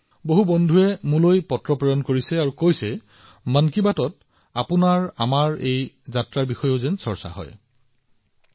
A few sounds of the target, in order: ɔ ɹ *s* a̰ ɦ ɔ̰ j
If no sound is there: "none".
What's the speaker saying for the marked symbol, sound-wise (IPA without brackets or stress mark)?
s